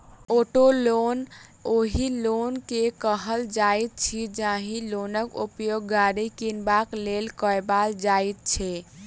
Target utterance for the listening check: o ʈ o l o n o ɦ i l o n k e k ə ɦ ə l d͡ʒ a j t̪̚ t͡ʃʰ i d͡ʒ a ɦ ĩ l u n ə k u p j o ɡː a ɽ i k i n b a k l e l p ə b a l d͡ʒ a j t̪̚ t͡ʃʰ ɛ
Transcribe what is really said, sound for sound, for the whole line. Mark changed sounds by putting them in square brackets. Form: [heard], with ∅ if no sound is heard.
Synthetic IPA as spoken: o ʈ o l o n o ɦ i l o n k e k ə ɦ ə l d͡ʒ a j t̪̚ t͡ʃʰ i d͡ʒ a ɦ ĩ l [o] n ə k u p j o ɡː a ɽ i k i n b a k l e l [k] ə b a l d͡ʒ a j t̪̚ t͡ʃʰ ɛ

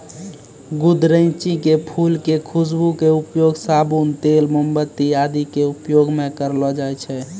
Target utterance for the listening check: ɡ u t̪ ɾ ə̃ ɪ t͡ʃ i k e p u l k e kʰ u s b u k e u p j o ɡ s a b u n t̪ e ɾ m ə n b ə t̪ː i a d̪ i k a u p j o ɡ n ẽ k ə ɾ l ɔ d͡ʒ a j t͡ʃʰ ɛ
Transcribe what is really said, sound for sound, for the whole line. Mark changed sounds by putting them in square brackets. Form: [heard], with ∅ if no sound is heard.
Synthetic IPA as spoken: ɡ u [d̪] ɾ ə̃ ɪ t͡ʃ i k e [pʰ] u l k e kʰ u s b u k e u p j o ɡ s a b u n t̪ e [l] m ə [m] b ə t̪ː i a d̪ i k [e] u p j o ɡ [m] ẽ k ə ɾ l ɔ d͡ʒ a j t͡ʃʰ ɛ

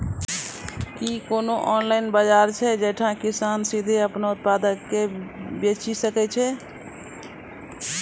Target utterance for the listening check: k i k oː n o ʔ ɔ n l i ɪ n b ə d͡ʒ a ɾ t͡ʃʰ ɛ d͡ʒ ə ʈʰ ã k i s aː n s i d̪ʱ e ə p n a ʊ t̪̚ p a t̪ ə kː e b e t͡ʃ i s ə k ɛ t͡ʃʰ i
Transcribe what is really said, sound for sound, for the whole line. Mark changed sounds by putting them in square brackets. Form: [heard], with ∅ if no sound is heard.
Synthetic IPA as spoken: k i k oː n o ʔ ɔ n l [a] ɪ n b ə d͡ʒ a ɾ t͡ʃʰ ɛ d͡ʒ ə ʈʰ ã k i s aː n s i d̪ʱ e ə p n a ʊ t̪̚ p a [d̪] ə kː e b e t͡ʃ i s ə k ɛ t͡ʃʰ [ɛ]

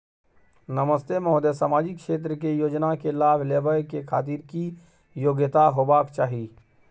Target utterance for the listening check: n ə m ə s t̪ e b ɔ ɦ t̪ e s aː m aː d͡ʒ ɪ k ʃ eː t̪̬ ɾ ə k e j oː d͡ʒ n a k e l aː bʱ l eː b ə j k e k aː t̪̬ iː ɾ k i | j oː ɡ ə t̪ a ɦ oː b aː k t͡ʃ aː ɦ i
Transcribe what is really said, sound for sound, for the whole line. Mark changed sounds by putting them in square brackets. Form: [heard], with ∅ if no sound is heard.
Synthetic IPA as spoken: n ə m ə s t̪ e [m] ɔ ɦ [d̪] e s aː m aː d͡ʒ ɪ k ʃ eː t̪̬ ɾ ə k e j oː d͡ʒ n a k e l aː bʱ l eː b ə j k e [kʰ] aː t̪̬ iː ɾ k i | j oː ɡ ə t̪ a ɦ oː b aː k t͡ʃ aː ɦ i

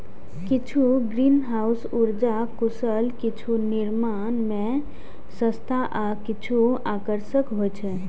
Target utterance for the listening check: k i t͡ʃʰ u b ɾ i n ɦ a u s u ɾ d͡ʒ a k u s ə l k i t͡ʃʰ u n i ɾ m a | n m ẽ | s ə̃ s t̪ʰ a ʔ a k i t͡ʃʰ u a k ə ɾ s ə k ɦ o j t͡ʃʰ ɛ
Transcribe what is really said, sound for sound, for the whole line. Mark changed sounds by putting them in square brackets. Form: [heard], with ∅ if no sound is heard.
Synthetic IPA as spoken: k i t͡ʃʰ u [ɡ] ɾ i n ɦ a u s u ɾ d͡ʒ a k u s ə l k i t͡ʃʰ u n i ɾ m a | n m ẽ | s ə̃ s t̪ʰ a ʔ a k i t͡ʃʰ u a k ə ɾ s ə k ɦ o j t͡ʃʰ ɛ

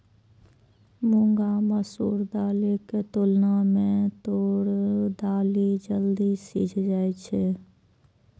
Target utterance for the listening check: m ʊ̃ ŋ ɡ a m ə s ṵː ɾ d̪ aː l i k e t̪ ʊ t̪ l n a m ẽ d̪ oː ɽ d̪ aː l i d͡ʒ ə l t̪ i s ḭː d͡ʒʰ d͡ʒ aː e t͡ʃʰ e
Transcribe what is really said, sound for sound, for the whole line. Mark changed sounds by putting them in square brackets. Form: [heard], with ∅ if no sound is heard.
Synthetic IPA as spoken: m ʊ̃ ŋ ɡ a m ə s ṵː ɾ d̪ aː l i k e t̪ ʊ [∅] l n a m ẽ [t̪] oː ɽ d̪ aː l i d͡ʒ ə l [d̪] i s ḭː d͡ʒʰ d͡ʒ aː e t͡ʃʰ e

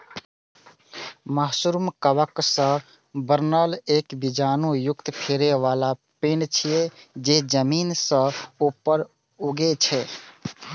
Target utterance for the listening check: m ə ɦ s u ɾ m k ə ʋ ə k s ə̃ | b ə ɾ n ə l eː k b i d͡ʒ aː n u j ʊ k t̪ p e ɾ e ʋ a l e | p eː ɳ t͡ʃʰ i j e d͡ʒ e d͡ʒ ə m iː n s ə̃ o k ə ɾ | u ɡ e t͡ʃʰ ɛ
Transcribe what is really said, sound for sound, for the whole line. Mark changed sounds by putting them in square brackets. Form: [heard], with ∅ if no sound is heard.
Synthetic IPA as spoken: m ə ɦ s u ɾ m k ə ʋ ə k s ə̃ | b ə ɾ n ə l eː k b i d͡ʒ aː n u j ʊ k t̪ [pʰ] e ɾ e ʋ a l [a] | p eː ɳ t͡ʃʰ i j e d͡ʒ e d͡ʒ ə m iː n s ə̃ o [p] ə ɾ | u ɡ e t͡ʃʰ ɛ

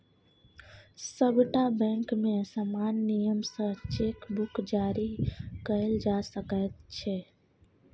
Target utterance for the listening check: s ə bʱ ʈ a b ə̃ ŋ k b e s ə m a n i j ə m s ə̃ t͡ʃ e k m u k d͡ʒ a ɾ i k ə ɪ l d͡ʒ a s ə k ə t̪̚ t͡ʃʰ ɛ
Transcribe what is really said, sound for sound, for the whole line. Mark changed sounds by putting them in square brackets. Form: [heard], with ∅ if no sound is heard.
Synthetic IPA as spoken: s ə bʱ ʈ a b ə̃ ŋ k [m] e s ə m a [nː] i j ə m s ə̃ t͡ʃ e k [b] u k d͡ʒ a ɾ i k ə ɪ l d͡ʒ a s ə k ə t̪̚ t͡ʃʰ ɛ

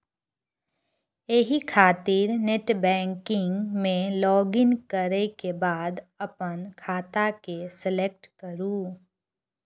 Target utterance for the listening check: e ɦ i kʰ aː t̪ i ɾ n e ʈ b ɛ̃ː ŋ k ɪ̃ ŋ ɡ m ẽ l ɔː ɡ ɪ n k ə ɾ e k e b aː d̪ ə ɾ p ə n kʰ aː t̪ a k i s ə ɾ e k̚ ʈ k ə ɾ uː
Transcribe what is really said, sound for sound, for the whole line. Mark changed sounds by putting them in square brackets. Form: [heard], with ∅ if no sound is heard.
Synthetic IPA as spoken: e ɦ i kʰ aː t̪ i ɾ n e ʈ b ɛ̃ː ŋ k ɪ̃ ŋ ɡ m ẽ l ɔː ɡ ɪ n k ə ɾ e k e b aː d̪ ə [∅] p ə n kʰ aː t̪ a k [e] s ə [l] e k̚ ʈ k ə ɾ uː

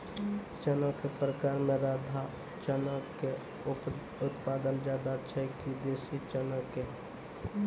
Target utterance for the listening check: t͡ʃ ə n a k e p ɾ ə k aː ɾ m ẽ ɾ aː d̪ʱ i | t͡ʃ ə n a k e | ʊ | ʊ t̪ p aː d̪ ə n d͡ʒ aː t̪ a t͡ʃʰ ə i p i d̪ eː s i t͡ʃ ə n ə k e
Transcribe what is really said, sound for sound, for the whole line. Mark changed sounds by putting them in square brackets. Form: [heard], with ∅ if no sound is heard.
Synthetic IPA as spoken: t͡ʃ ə n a k e p ɾ ə k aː ɾ m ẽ ɾ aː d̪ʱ [a] | t͡ʃ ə n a k e | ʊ | ʊ t̪ p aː d̪ ə n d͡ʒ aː [d̪] a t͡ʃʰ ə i [k] i d̪ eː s i t͡ʃ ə n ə k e

